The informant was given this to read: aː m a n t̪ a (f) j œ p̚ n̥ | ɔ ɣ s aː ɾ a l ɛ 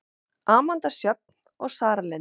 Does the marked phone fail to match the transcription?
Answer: yes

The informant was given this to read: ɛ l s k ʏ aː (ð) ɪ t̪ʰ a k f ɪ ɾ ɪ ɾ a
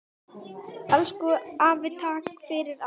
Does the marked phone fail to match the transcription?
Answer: yes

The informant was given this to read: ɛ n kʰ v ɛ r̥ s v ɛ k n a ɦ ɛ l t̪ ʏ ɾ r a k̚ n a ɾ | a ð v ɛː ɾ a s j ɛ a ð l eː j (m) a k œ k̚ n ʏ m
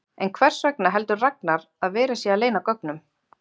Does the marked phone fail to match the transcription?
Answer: yes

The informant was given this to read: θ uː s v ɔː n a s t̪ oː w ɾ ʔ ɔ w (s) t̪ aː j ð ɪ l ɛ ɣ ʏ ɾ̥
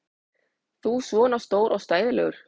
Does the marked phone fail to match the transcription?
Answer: no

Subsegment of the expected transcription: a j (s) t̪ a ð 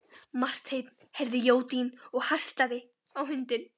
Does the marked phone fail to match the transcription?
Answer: no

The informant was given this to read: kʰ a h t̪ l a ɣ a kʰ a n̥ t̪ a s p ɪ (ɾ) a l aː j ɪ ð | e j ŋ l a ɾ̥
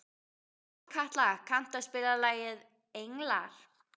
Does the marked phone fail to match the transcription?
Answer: yes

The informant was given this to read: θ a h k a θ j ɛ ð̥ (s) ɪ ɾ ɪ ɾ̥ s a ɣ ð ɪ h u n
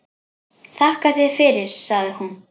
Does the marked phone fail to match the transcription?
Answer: yes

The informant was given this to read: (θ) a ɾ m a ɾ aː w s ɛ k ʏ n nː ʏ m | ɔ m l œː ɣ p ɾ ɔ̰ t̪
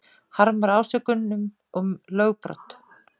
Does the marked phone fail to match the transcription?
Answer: yes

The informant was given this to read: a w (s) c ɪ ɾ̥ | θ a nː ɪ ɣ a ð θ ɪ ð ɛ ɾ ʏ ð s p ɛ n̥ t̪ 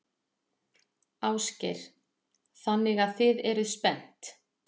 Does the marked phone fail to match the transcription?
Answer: no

